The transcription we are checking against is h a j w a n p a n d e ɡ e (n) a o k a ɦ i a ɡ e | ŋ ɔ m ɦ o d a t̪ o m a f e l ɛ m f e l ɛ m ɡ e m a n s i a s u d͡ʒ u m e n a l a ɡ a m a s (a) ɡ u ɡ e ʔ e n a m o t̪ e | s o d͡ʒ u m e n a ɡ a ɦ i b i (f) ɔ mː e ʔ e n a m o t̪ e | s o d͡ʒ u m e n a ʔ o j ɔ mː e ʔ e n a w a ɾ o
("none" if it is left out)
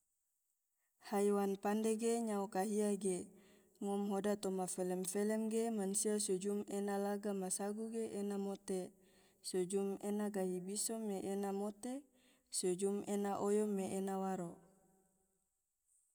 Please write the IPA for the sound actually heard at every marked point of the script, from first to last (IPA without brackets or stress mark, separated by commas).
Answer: ɲ, a, s